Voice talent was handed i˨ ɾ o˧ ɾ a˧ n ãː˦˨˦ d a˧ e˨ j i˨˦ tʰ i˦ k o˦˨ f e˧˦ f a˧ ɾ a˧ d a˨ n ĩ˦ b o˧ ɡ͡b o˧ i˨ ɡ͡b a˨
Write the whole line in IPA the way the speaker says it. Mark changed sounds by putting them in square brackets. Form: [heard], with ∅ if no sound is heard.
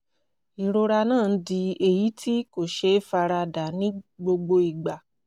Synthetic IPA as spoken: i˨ ɾ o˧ ɾ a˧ n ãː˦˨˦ d [i˧] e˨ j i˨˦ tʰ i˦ k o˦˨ [ʃ] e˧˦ f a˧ ɾ a˧ d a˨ n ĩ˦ [ɡ͡b] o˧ ɡ͡b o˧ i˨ ɡ͡b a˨